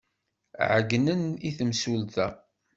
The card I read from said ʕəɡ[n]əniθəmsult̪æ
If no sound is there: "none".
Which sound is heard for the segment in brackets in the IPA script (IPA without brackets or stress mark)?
n